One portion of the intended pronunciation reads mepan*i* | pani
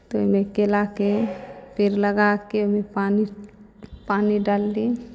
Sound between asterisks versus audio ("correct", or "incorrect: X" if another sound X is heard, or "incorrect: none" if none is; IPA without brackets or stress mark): correct